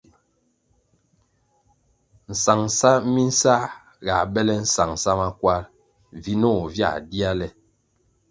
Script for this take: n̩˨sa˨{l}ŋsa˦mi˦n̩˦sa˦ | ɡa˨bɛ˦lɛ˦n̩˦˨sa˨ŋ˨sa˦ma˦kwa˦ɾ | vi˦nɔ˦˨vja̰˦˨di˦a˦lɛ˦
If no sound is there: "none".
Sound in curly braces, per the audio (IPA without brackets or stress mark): none